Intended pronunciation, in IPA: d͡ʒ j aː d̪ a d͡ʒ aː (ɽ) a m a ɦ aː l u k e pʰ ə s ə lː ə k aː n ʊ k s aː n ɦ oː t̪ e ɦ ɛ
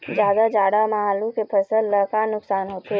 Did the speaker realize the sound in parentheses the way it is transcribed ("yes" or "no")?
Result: yes